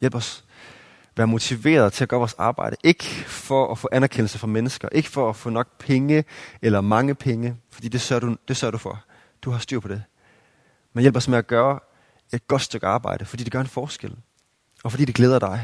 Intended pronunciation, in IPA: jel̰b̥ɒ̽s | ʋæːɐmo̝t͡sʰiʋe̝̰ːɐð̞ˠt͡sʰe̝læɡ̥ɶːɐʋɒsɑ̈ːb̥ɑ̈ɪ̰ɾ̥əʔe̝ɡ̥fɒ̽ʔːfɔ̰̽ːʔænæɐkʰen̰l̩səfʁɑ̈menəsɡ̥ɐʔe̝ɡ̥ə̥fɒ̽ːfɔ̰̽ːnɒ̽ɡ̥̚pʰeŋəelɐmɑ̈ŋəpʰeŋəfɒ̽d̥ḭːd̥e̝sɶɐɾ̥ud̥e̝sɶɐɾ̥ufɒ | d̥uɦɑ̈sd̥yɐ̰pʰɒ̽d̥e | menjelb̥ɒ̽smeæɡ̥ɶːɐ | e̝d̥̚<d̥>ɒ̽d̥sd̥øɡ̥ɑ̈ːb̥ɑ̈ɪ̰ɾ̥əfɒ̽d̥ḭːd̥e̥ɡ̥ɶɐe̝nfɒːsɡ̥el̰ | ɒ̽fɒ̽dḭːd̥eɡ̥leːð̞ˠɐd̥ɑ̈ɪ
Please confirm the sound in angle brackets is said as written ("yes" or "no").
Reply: no